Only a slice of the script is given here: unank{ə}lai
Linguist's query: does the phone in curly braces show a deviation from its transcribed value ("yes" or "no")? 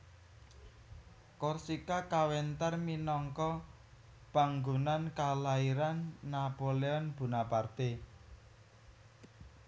yes